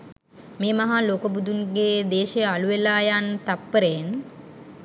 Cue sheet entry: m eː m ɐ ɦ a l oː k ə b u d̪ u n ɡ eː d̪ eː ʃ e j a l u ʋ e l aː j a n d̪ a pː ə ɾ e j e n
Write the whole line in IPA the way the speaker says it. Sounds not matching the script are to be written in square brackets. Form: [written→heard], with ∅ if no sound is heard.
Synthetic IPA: m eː m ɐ ɦ a l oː k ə b u d̪ u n ɡ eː d̪ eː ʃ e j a l u ʋ e l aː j a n [d̪→t̪] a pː ə ɾ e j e n